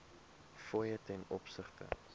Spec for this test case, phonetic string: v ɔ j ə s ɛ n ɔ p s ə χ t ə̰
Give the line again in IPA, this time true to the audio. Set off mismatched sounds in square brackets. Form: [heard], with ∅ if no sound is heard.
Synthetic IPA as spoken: [f] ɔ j ə [t] ɛ n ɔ p s ə χ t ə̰